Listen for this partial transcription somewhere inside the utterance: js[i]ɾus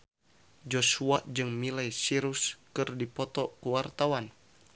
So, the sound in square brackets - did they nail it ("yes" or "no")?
yes